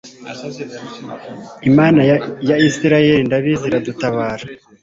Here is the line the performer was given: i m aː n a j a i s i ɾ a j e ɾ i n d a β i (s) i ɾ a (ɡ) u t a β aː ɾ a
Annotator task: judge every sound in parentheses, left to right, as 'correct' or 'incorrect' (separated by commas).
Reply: incorrect, incorrect